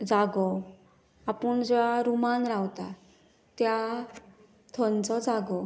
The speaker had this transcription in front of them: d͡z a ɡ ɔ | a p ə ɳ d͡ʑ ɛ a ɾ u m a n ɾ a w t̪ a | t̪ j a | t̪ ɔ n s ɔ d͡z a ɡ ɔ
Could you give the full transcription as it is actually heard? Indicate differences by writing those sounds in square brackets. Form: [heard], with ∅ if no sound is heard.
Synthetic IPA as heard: d͡z a ɡ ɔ | a p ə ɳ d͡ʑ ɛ a ɾ u m a n ɾ a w t̪ a | t̪ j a | [t̪ʰ] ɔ n [t͡s] ɔ d͡z a ɡ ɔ

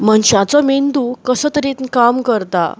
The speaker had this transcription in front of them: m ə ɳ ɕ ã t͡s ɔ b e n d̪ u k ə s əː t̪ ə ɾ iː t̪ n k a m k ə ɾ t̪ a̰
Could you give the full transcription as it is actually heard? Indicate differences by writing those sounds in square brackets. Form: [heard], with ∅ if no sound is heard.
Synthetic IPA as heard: m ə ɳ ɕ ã t͡s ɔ [m] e n d̪ u k ə s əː t̪ ə ɾ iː t̪ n k a m k ə ɾ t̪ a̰

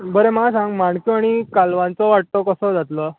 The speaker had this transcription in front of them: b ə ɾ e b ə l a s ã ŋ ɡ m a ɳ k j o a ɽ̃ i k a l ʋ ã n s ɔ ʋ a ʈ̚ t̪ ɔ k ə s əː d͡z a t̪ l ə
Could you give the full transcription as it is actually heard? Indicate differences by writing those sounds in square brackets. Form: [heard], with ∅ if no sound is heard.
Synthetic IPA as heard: b ə ɾ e [m] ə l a s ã ŋ ɡ m a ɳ k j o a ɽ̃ i k a l ʋ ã n [t͡s] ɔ ʋ a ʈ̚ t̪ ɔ k ə s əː d͡z a t̪ l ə

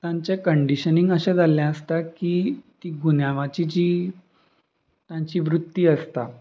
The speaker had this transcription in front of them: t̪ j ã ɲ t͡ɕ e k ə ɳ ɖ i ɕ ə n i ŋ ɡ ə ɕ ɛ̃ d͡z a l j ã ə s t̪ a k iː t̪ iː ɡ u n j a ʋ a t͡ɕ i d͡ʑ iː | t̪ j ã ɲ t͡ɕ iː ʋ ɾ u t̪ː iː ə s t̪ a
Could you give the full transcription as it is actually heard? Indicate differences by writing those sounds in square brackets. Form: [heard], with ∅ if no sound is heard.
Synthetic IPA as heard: t̪ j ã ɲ t͡ɕ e k ə ɳ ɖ i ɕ ə n i ŋ ɡ ə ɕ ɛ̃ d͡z a l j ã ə s t̪ a k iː t̪ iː ɡ u n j a ʋ a t͡ɕ i d͡ʑ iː | t̪ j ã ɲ t͡ɕ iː ʋ ɾ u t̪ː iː ə s t̪ a

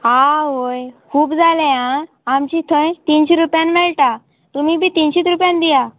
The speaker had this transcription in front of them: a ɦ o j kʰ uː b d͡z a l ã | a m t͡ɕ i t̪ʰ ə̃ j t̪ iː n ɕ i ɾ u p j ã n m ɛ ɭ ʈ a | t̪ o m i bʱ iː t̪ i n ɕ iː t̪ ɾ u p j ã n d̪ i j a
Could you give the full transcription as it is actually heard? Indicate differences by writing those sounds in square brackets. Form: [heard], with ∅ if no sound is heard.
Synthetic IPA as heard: a ɦ o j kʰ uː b d͡z a l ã | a m t͡ɕ i t̪ʰ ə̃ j t̪ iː n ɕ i ɾ u p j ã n m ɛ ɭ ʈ a | t̪ [u] m i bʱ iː t̪ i n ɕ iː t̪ ɾ u p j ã n d̪ i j a

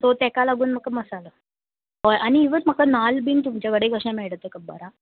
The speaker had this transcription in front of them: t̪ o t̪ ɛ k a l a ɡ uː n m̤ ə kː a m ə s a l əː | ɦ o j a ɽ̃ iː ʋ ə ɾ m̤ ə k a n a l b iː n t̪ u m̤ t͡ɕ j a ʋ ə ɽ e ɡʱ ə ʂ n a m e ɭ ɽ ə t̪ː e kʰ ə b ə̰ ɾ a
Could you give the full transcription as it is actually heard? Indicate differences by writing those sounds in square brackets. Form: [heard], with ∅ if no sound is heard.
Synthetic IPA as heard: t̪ o t̪ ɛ k a l a ɡ uː n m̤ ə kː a m ə s a l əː | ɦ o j a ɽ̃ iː ʋ ə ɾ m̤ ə k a n a l b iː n t̪ u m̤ t͡ɕ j a ʋ ə ɽ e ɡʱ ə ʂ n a m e ɭ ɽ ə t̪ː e [k] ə b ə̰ ɾ a

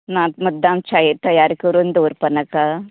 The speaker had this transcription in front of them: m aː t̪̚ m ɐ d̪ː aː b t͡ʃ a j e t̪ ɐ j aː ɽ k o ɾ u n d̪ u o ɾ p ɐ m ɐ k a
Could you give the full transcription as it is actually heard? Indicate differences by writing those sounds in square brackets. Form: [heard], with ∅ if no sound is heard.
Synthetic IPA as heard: [n] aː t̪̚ m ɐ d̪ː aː [m] t͡ʃ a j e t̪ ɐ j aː [ɾ] k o ɾ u n d̪ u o ɾ p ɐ [n] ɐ k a

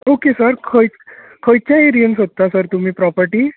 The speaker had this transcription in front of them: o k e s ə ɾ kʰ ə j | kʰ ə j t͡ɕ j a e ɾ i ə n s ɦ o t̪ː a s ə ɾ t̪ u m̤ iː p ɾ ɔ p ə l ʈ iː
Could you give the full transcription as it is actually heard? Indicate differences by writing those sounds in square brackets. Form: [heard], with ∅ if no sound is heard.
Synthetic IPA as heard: o k e s ə ɾ kʰ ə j | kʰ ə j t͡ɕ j a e ɾ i ə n s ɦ o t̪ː a s ə ɾ t̪ u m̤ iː p ɾ ɔ p ə [ɾ] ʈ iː

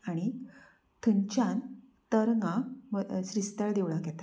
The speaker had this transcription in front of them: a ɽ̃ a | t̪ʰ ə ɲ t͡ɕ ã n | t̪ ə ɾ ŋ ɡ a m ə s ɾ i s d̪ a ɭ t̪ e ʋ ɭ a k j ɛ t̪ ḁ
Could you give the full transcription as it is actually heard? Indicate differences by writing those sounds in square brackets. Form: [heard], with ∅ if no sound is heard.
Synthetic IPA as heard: a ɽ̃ [i] | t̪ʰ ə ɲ t͡ɕ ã n | t̪ ə ɾ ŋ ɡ a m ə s ɾ i s [t̪] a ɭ [d̪] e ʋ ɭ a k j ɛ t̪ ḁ

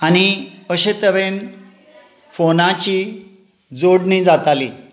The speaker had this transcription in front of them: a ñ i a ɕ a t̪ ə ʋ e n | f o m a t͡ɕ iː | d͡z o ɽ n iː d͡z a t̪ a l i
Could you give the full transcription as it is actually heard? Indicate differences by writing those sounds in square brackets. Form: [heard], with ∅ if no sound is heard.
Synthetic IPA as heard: a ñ i [ə] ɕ [e] t̪ ə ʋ e n | f o [n] a t͡ɕ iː | d͡z o ɽ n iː d͡z a t̪ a l i

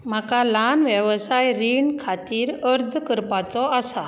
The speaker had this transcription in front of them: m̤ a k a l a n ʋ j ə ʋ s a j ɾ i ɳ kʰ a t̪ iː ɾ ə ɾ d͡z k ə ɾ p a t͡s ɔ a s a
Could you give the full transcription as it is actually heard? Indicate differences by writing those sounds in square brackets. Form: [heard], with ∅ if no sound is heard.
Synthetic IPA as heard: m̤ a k a l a n ʋ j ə ʋ s a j ɾ i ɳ kʰ a t̪ iː ɾ ə ɾ d͡z k ə ɾ p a t͡s ɔ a s a

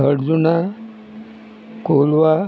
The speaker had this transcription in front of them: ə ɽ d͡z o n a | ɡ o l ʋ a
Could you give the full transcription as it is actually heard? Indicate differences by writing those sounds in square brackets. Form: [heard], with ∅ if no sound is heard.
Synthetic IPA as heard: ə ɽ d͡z [u] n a | [k] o l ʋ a

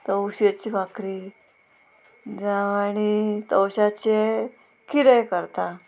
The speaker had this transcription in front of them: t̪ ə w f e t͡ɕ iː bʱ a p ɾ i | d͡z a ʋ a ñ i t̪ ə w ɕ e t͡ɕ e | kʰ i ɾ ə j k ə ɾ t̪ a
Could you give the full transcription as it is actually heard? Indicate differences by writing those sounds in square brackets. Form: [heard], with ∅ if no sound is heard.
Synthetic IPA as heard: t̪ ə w [ɕ] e t͡ɕ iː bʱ a [k] ɾ i | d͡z a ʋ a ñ i t̪ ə w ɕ [a] t͡ɕ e | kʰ i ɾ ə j k ə ɾ t̪ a

